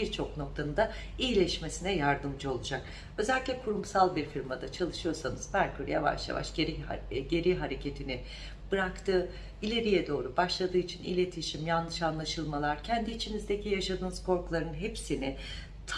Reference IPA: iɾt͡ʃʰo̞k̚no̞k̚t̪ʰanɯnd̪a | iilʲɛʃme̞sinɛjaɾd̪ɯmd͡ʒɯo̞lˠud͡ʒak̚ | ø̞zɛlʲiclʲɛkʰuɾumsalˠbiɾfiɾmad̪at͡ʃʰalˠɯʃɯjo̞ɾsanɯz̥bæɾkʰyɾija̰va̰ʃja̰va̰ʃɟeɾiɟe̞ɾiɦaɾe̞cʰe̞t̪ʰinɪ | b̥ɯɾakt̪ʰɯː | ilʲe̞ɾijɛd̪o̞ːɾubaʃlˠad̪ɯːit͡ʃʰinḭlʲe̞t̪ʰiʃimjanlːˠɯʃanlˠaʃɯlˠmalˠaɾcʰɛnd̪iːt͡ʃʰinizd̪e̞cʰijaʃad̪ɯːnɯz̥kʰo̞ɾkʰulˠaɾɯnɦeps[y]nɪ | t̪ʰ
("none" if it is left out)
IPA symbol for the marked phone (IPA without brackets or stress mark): i